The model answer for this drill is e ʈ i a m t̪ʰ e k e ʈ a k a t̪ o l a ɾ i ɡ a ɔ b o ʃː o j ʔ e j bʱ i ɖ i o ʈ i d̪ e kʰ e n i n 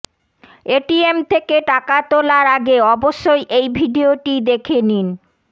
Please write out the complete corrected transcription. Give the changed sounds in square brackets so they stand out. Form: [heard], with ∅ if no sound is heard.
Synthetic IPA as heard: e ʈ i [e] m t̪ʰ e k e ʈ a k a t̪ o l a ɾ [a] ɡ [e] ɔ b o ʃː o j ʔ e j bʱ i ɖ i o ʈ i d̪ e kʰ e n i n